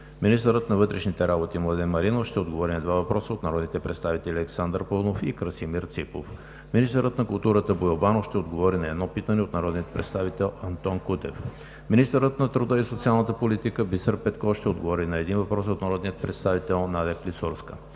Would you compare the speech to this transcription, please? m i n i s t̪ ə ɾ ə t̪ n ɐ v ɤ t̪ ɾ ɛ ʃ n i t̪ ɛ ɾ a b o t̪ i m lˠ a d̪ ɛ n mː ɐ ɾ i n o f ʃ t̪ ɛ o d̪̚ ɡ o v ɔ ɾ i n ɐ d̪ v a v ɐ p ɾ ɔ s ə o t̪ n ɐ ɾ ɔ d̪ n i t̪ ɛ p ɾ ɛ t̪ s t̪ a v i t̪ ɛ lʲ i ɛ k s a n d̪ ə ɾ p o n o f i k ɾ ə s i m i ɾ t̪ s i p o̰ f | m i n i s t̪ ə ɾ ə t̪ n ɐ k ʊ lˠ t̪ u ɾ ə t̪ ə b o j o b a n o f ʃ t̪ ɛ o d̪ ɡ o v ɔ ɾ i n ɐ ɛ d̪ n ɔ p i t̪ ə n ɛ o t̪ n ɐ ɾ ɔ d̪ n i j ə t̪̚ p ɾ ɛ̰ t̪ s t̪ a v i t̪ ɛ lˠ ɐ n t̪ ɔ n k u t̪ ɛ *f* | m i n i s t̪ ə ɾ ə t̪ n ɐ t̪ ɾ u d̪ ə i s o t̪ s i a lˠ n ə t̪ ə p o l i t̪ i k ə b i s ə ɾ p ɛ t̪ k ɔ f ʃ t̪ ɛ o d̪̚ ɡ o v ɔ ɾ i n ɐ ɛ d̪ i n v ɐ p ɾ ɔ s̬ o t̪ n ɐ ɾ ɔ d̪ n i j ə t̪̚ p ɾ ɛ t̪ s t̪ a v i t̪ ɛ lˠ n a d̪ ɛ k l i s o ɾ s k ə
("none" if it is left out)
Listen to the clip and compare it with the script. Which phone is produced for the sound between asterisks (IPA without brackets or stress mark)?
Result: f